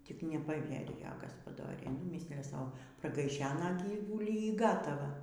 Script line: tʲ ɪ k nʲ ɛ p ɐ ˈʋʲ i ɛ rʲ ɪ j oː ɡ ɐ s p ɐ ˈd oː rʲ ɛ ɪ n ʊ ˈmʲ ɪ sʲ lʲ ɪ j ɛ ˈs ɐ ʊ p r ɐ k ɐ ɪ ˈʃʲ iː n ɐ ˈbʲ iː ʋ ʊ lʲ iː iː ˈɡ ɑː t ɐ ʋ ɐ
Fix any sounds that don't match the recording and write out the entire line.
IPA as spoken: tʲ ɪ k nʲ ɛ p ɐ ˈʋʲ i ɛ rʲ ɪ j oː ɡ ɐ s p ɐ ˈd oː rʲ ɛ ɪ n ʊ ˈmʲ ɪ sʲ lʲ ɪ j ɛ ˈs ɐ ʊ p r ɐ ɡ ɐ ɪ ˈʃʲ æː n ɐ ˈɡʲ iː ʋ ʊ lʲ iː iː ˈɡ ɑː t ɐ ʋ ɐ